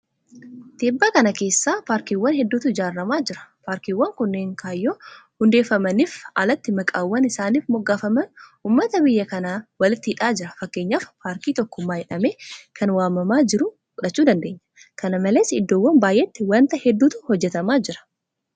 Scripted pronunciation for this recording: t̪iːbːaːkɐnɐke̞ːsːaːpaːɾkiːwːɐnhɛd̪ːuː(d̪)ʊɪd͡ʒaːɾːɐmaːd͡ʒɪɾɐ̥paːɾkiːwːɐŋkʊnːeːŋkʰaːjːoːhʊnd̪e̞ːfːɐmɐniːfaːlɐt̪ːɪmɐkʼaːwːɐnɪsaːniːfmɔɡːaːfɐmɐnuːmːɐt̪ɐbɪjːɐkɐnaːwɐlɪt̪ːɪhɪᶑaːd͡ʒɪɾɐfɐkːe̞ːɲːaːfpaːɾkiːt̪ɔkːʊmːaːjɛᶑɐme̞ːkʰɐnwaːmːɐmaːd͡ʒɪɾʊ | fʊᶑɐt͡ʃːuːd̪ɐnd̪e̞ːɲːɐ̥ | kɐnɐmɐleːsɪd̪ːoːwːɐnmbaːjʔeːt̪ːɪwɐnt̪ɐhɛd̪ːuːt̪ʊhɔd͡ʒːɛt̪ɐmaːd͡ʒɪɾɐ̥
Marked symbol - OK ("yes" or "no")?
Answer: no